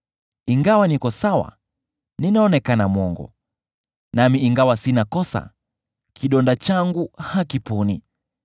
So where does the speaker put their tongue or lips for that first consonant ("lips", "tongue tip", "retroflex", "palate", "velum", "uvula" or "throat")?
velum